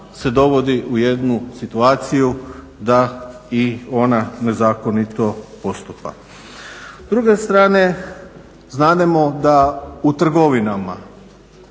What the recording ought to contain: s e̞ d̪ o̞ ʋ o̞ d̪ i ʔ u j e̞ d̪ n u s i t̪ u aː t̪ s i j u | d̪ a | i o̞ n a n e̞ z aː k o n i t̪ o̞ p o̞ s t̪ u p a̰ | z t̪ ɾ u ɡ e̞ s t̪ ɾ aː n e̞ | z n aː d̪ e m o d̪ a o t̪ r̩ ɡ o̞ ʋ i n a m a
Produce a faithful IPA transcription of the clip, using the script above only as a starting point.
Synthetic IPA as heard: s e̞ d̪ o̞ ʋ o̞ d̪ i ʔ u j e̞ d̪ n u s i t̪ u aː t̪ s i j u | d̪ a | i o̞ n a n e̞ z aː k o n i t̪ o̞ p o̞ s t̪ u p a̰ | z d̪ ɾ u ɡ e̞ s t̪ ɾ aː n e̞ | z n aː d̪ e m o d̪ a u t̪ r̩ ɡ o̞ ʋ i n a m a